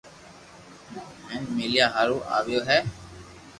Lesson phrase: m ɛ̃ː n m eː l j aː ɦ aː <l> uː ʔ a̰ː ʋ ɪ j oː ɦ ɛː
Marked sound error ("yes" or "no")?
yes